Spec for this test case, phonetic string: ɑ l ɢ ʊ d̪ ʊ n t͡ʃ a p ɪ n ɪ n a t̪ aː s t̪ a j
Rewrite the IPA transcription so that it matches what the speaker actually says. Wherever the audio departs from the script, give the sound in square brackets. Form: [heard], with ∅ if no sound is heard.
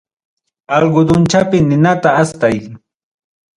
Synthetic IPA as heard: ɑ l ɢ ʊ d̪ ʊ n t͡ʃ a p ɪ n ɪ n a t̪ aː s t̪ a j